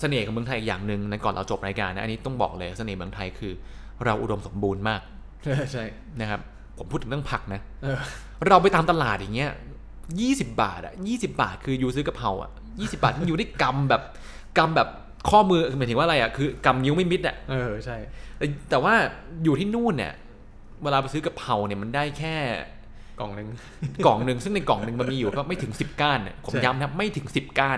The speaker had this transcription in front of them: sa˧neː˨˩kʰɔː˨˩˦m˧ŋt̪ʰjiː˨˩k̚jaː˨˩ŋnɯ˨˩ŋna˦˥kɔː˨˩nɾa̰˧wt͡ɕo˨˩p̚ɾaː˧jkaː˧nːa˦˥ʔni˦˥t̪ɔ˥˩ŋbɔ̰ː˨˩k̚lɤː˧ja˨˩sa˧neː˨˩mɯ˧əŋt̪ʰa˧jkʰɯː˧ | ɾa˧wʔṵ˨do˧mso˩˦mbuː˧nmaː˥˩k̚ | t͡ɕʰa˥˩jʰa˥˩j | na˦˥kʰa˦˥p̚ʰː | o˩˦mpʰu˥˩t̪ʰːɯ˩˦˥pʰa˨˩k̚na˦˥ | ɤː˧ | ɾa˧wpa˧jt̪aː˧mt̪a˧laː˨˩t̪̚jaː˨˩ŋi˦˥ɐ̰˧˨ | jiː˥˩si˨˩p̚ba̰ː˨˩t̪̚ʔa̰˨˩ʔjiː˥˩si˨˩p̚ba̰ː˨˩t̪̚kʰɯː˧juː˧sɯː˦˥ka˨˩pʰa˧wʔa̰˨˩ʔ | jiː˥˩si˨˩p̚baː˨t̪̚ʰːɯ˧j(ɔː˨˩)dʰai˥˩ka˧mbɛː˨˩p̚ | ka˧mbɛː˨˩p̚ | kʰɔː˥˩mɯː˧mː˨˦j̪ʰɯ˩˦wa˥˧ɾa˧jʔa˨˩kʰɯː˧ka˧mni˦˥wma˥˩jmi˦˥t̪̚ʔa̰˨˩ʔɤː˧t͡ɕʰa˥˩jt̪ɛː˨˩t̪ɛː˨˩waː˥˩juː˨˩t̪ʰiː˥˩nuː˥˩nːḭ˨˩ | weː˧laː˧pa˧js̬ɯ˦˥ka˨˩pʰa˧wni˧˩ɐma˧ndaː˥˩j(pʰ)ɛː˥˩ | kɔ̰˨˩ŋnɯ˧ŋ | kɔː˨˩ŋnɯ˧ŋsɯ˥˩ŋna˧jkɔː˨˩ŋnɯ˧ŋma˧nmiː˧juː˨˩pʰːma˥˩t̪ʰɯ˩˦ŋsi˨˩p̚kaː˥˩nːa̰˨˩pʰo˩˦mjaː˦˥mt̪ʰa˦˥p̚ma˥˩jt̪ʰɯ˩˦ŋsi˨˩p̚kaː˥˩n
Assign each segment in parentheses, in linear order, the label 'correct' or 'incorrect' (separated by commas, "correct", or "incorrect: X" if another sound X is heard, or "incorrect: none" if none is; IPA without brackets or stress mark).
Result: incorrect: uː˨˩, incorrect: kʰ